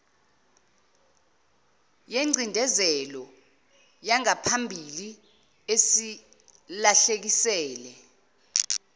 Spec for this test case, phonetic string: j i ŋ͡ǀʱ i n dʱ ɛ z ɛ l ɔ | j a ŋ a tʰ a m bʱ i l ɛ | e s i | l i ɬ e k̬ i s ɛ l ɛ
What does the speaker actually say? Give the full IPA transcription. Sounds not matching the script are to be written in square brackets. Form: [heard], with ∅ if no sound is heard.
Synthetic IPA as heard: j [e] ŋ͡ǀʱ i n dʱ ɛ z ɛ l ɔ | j a ŋ a [pʰ] a m bʱ i l [i] | e s i | l [a] ɬ e k̬ i s [ɛː] l ɛ

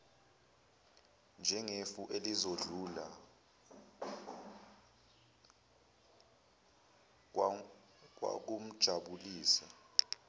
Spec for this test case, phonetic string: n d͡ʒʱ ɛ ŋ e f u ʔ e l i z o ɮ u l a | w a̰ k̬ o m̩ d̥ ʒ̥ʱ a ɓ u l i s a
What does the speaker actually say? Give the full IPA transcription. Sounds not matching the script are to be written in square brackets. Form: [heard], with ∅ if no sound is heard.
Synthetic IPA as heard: n d͡ʒʱ ɛ ŋ e f u ʔ e l i z o ɮ u l a | w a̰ k̬ [u] m̩ d̥ ʒ̥ʱ a ɓ u l [iː] s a

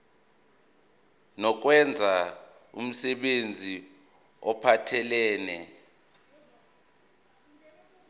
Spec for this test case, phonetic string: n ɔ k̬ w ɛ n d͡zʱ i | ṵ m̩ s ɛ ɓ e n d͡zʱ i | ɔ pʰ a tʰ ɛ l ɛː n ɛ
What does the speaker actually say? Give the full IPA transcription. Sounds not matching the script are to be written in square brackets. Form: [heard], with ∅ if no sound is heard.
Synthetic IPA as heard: n ɔ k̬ w ɛ n d͡zʱ [a] | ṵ m̩ s ɛ ɓ e n d͡zʱ i | ɔ pʰ a tʰ ɛ l ɛː n ɛ

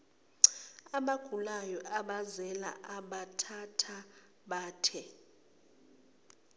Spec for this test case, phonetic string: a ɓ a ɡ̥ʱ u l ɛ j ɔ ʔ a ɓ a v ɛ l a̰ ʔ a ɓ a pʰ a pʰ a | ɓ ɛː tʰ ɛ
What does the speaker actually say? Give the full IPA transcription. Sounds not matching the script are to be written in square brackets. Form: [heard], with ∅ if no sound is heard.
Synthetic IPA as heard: a ɓ a ɡ̥ʱ u l [a] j ɔ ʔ a ɓ a [z] ɛ l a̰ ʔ a ɓ a [tʰ] a [tʰ] a | ɓ [aː] tʰ ɛ

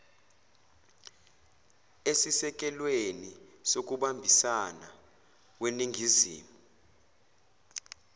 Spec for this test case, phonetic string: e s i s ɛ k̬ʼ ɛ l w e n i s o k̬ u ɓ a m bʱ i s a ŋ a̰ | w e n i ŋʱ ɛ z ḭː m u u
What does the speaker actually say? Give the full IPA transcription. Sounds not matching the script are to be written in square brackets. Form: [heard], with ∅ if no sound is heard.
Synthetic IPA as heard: e s i s ɛ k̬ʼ ɛ l w e n i s o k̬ u ɓ a m bʱ i s a [n] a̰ | w e n i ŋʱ [i] z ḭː m u u

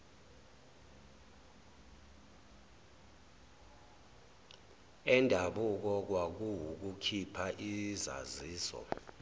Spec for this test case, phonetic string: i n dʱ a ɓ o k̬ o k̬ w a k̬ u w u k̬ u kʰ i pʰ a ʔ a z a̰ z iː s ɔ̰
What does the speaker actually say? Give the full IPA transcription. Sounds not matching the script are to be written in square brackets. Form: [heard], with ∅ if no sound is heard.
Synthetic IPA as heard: [ɛ] n dʱ a ɓ [u] k̬ [ɔ] k̬ w a k̬ u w u k̬ u kʰ i pʰ a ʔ [i] z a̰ z iː s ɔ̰

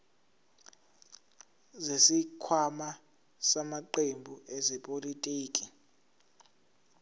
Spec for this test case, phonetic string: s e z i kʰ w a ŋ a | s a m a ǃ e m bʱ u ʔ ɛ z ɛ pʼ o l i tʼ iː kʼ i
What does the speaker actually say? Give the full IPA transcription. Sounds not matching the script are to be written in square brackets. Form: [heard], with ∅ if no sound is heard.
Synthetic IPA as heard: [z] e [s] i kʰ w a [m] a | s a m a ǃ e m bʱ u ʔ ɛ z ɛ pʼ o l i tʼ iː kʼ i

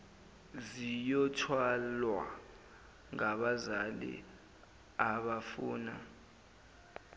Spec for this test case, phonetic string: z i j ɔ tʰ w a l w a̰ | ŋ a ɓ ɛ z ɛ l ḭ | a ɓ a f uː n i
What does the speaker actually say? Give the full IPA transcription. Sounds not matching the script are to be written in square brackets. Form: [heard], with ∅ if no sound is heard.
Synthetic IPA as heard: z i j ɔ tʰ w a l w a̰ | ŋ a ɓ [a] z [a] l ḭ | a ɓ a f uː n [a]

